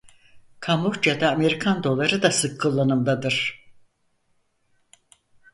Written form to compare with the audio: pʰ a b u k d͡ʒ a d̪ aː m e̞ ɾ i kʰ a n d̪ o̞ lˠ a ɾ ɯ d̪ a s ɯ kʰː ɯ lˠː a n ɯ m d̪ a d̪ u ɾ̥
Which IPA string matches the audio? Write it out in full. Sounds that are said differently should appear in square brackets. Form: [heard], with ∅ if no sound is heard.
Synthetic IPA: [kʰ] a [m] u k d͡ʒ a d̪ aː m e̞ ɾ i kʰ a n d̪ o̞ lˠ a ɾ ɯ d̪ a s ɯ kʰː ɯ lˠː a n ɯ m d̪ a d̪ [ɯ] ɾ̥